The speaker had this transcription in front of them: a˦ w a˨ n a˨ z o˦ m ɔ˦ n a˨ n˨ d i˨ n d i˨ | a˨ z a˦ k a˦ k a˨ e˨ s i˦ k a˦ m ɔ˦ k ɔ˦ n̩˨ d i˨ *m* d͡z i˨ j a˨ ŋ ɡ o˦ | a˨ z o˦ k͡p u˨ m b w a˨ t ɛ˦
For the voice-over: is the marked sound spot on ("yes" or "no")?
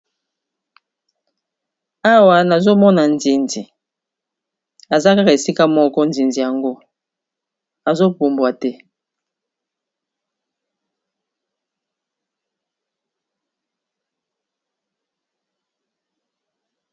no